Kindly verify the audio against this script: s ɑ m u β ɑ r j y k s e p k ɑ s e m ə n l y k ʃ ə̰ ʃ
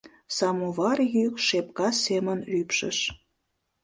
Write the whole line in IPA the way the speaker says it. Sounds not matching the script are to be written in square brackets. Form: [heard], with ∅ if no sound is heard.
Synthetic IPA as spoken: s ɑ m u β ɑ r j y k [ʃ] e p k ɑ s e m ə n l y [p] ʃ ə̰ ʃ